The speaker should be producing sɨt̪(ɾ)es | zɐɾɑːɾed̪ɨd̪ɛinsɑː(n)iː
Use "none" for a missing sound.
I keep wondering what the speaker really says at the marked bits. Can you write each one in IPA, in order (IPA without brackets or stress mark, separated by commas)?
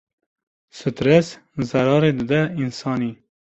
ɾ, n